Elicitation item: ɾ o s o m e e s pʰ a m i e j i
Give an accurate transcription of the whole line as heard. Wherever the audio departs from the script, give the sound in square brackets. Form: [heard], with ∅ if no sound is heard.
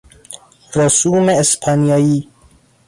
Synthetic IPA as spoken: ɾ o s [u] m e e s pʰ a [n] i [a] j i

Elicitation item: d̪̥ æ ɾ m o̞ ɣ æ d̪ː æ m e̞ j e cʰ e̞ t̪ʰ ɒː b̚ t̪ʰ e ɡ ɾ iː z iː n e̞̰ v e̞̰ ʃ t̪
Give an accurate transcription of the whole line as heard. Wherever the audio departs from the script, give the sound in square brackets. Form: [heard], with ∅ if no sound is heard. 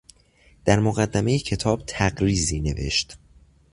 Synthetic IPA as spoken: d̪̥ æ ɾ m o̞ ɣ æ d̪ː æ m e̞ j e cʰ e̞ t̪ʰ ɒː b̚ t̪ʰ [æ] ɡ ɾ iː z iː n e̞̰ v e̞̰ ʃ t̪

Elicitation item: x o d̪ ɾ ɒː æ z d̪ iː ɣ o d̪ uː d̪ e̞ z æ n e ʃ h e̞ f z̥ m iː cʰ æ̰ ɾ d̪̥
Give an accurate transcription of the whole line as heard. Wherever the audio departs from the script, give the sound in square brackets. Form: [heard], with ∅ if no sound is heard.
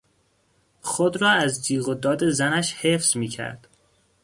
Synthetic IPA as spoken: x o d̪ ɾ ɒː æ z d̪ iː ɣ o d̪ [ɒː] d̪ e̞ z æ n [æ] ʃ h e̞ f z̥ m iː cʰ æ̰ ɾ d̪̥

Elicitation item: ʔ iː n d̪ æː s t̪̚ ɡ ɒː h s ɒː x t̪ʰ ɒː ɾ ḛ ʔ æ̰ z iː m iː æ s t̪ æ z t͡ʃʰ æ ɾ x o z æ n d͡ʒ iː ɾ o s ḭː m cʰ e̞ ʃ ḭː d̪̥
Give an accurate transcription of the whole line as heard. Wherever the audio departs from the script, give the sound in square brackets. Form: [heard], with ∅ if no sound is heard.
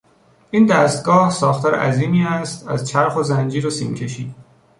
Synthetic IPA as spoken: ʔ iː n d̪ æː s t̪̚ ɡ ɒː h s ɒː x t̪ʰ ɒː ɾ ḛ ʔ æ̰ z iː m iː æ s t̪ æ z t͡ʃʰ æ ɾ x o z æ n d͡ʒ iː ɾ o s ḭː m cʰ e̞ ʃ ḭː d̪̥

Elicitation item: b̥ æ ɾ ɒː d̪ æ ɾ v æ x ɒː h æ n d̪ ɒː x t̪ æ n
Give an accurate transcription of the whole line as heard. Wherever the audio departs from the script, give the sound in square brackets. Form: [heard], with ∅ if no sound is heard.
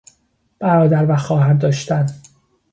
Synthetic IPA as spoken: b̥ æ ɾ ɒː d̪ æ ɾ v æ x ɒː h æ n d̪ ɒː [ʃ] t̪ æ n

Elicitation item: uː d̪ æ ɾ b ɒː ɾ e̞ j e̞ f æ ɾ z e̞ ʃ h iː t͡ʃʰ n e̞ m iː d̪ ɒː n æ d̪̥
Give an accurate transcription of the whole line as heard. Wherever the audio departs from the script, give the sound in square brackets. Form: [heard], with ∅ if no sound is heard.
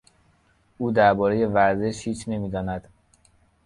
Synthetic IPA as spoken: uː d̪ æ ɾ b ɒː ɾ e̞ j e̞ [v] æ ɾ z e̞ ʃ h iː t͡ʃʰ n e̞ m iː d̪ ɒː n æ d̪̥

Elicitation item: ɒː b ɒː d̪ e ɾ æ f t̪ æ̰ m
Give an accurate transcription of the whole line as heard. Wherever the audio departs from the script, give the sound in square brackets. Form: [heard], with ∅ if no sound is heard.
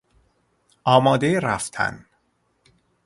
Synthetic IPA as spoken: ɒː [m] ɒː d̪ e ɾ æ f [t̪ʰ] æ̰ [n]

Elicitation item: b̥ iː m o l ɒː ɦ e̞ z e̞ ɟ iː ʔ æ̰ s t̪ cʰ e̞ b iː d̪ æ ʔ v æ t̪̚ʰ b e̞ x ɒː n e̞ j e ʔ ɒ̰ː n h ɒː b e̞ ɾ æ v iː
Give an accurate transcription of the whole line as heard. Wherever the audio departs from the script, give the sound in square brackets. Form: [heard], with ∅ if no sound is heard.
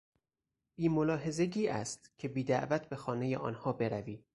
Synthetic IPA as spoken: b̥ iː m o l ɒː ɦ e̞ z e̞ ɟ iː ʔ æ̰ s t̪ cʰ e̞ b iː d̪ æ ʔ v æ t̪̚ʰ b e̞ x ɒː n e̞ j e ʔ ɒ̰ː n h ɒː b e̞ ɾ æ v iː

